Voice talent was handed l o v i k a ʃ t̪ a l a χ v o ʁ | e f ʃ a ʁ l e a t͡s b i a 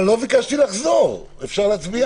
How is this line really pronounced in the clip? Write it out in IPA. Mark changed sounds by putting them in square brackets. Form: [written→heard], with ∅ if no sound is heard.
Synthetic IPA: l o v i k a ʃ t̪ [a→i] l a χ [v→z] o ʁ | e f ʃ a ʁ l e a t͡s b i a